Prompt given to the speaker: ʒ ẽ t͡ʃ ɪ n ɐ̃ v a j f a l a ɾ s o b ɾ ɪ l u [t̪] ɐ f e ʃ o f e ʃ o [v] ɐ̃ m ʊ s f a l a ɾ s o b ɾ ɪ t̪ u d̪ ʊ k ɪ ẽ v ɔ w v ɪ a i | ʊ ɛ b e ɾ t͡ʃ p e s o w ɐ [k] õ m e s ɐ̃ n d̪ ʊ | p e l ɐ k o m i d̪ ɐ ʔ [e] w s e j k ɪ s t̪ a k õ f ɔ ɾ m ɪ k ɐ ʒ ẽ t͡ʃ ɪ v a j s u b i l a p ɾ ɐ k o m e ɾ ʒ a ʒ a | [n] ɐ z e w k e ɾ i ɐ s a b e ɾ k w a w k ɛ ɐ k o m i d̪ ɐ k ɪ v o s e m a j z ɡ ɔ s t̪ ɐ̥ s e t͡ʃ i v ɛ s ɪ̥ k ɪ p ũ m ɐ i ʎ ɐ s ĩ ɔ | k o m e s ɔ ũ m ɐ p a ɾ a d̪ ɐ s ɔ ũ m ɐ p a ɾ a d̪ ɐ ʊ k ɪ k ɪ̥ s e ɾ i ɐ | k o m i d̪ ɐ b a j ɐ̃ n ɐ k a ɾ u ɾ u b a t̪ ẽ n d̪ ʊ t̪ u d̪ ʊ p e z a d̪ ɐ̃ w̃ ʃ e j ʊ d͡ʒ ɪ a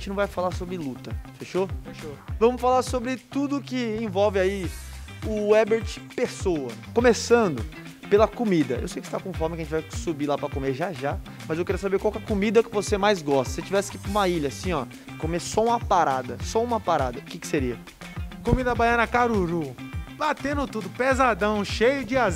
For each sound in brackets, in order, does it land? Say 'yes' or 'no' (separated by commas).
yes, yes, yes, yes, no